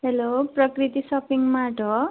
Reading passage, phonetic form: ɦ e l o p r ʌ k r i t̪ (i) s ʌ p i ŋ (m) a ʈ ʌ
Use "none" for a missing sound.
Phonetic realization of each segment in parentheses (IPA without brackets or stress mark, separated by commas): i, m